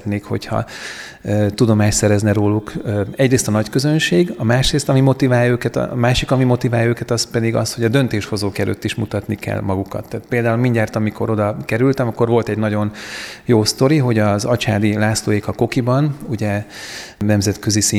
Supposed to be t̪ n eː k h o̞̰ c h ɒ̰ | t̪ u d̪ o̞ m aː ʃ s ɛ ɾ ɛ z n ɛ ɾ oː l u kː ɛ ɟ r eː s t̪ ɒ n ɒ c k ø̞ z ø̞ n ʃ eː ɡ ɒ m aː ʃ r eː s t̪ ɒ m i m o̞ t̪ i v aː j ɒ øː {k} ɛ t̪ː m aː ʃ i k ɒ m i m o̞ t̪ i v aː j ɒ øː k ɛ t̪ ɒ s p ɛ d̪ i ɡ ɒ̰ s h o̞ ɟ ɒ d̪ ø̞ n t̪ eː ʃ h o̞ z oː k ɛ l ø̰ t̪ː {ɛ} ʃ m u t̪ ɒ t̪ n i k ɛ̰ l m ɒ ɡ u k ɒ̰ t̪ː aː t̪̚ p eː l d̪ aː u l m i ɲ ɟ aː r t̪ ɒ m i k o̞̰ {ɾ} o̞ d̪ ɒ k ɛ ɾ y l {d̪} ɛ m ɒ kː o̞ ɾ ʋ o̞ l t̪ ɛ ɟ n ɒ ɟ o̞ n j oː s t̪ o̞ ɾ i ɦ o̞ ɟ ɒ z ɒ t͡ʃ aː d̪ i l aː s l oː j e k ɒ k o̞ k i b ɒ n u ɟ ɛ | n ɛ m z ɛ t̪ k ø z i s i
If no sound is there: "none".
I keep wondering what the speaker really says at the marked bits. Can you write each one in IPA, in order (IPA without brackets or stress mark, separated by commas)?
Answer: k, i, ɾ, t̪